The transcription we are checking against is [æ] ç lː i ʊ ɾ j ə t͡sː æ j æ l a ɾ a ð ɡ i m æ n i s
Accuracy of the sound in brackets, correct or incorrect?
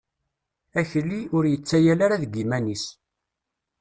correct